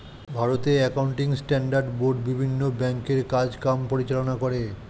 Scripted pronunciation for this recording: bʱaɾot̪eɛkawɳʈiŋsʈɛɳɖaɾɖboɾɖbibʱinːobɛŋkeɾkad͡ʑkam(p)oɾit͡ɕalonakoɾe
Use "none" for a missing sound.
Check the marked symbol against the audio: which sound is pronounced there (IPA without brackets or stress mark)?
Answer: p